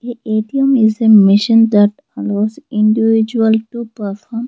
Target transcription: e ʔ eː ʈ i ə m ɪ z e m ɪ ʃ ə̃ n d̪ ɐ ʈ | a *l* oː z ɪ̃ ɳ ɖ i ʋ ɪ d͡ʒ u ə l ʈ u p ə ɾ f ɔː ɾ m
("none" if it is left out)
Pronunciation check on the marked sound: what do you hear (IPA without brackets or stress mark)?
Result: l